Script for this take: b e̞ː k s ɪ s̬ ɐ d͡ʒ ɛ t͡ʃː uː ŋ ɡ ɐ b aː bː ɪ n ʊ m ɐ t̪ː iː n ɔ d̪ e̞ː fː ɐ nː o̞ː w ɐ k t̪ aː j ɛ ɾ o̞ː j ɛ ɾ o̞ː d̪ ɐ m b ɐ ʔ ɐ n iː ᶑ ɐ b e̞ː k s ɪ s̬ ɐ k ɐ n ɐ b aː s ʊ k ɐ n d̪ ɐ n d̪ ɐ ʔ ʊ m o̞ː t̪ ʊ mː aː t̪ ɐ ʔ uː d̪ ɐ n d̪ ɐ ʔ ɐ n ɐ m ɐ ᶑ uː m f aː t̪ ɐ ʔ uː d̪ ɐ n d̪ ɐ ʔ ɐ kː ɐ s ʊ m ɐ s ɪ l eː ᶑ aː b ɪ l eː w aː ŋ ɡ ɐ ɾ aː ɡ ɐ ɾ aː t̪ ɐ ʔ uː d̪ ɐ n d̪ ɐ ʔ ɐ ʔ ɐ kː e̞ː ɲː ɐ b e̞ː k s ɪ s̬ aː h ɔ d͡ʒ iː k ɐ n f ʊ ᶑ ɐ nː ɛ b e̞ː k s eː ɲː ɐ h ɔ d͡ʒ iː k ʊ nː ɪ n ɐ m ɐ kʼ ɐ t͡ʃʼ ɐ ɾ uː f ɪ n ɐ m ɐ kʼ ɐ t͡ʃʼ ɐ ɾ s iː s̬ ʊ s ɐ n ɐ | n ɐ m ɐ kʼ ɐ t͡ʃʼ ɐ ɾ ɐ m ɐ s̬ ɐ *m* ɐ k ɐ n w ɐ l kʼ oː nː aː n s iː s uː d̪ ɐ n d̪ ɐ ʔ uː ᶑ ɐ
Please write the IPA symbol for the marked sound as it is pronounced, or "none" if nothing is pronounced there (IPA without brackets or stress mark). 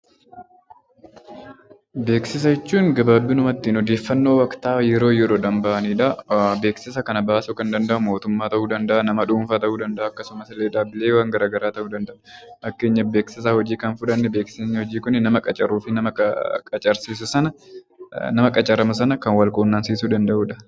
n